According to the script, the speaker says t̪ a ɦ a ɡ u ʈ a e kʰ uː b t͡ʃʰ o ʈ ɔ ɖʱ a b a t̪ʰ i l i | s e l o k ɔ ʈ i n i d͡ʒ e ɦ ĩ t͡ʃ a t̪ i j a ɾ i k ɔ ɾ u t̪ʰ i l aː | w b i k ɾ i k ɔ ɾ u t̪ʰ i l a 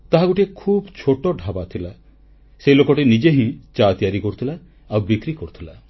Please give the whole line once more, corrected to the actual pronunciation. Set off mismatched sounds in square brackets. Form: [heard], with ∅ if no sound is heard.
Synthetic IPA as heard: t̪ a ɦ a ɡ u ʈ [i] e kʰ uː b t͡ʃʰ o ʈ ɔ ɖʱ a b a t̪ʰ i l [a] | s e l o k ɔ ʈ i n i d͡ʒ e ɦ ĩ t͡ʃ a t̪ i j a ɾ i k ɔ ɾ u t̪ʰ i l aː | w b i k ɾ i k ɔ ɾ u t̪ʰ i l a

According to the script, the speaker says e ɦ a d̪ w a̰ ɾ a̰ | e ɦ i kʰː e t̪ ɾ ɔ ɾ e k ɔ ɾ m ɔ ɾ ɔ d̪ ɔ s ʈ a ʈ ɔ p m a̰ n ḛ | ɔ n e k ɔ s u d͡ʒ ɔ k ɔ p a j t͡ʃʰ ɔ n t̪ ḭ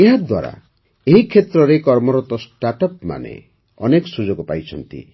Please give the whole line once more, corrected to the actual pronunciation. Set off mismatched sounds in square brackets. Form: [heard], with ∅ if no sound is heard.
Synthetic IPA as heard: e ɦ a d̪ w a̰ ɾ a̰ | e ɦ i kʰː e t̪ ɾ ɔ ɾ e k ɔ ɾ m ɔ ɾ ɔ [t̪] ɔ s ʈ a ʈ ɔ p m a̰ n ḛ | ɔ n e k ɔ s u d͡ʒ ɔ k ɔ p a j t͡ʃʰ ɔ n t̪ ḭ

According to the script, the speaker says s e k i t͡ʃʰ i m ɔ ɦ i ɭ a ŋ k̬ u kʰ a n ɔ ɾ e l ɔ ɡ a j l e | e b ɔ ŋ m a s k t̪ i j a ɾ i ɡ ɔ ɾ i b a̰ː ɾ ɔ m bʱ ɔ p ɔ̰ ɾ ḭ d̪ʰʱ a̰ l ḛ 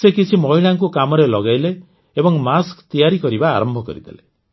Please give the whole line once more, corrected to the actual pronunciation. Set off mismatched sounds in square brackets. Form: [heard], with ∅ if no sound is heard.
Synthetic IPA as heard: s e k i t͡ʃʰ i m ɔ ɦ i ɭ a ŋ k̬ u [k] a [m] ɔ ɾ e l ɔ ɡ a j l e | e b ɔ ŋ m a s k t̪ i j a ɾ i [k] ɔ ɾ i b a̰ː ɾ ɔ m bʱ ɔ [k] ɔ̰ ɾ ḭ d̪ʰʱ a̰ l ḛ

